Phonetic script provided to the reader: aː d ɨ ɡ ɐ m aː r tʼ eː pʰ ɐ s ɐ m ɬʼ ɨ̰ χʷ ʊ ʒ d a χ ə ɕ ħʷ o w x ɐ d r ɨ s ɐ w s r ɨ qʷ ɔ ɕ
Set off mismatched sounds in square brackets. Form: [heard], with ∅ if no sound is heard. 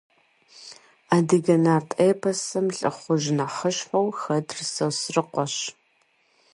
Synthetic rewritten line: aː d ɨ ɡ ɐ [n] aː r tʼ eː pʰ ɐ s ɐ m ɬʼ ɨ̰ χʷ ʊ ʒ [n] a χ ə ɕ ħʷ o w x ɐ d r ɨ s ɐ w s r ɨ qʷ ɔ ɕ